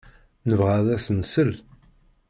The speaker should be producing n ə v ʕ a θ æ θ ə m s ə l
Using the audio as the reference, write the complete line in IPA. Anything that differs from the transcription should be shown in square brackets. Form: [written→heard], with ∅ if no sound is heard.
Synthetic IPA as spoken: n ə v [ʕ→ʁ] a [θ→ð] æ [θ→s] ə [m→n] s ə l